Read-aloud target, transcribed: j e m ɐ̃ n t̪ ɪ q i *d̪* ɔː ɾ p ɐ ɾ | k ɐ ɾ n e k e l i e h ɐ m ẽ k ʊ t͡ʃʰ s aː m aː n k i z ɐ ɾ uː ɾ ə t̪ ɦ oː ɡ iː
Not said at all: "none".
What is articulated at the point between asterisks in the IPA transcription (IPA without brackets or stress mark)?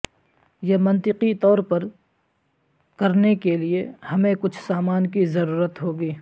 t̪